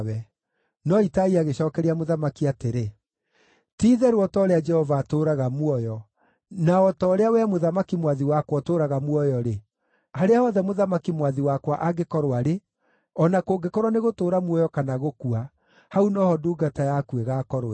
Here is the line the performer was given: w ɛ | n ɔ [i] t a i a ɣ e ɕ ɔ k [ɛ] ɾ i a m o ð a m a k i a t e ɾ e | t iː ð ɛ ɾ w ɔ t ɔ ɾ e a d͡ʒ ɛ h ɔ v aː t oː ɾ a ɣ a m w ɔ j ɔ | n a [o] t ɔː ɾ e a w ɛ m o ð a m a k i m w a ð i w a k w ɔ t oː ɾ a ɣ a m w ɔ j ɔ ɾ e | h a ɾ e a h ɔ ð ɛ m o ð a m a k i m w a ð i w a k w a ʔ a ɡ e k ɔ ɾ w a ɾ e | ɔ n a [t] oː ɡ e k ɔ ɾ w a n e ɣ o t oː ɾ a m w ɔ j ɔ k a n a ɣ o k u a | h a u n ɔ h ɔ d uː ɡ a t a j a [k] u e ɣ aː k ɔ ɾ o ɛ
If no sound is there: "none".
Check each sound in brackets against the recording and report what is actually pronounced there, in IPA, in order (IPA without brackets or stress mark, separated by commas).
i, ɛ, ɔ, k, k